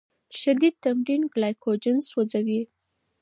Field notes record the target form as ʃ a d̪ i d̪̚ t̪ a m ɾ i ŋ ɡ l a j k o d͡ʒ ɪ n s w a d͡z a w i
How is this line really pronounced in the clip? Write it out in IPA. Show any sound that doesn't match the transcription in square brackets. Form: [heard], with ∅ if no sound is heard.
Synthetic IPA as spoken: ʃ a d̪ i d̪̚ t̪ a m ɾ i [n] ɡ l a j k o d͡ʒ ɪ n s w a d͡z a w i